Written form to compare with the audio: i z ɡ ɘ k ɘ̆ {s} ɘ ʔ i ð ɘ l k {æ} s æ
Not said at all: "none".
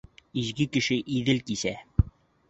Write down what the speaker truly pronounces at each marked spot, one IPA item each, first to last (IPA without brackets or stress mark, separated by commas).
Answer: ʃ, i